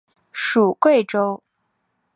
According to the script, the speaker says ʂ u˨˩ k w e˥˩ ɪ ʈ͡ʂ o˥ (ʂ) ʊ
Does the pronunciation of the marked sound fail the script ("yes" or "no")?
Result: yes